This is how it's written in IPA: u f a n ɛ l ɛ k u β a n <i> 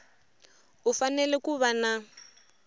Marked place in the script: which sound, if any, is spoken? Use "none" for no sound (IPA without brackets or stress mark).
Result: a